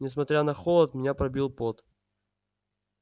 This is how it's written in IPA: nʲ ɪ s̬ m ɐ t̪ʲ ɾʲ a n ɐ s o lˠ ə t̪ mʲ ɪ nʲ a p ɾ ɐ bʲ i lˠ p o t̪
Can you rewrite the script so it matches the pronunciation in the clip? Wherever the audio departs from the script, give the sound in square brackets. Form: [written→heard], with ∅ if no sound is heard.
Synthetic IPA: nʲ ɪ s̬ m ɐ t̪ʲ ɾʲ a n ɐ [s→x] o lˠ ə t̪ mʲ ɪ nʲ a p ɾ ɐ bʲ i lˠ p o t̪